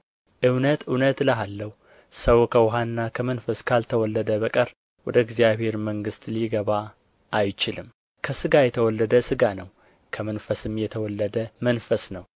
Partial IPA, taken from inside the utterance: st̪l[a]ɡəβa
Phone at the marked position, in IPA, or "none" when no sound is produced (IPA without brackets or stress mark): i